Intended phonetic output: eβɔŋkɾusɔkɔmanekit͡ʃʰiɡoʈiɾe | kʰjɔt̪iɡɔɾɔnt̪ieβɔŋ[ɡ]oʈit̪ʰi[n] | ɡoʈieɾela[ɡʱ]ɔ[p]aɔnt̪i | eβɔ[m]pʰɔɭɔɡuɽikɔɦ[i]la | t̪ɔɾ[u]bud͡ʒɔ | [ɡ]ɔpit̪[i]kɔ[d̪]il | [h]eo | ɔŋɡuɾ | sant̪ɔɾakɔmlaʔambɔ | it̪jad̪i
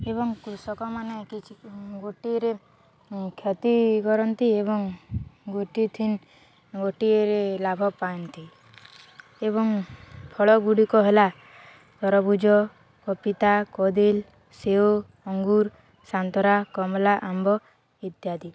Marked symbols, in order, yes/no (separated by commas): yes, yes, no, yes, no, no, no, no, no, yes, no